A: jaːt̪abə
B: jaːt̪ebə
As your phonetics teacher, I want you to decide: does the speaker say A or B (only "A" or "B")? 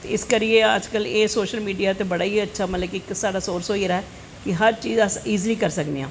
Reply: B